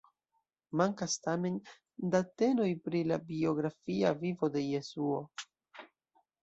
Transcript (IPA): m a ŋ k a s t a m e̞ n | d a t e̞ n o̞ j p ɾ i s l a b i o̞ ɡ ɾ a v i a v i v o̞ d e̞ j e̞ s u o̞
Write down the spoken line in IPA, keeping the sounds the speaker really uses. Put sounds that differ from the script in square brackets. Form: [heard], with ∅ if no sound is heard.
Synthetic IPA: m a ŋ k a s t a m e̞ n | d a t e̞ n o̞ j p ɾ i [∅] l a b i o̞ ɡ ɾ a [f] i a v i v o̞ d e̞ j e̞ s u o̞